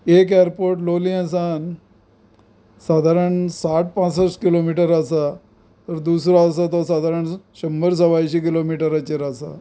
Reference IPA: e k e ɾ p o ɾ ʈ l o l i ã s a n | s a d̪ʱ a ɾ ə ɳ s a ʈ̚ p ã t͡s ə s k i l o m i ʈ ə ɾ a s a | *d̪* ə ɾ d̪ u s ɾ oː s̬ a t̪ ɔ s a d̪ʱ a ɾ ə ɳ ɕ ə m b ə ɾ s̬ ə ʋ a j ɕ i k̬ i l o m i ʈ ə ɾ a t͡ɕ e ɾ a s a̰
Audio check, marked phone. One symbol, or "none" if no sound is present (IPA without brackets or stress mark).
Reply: t̪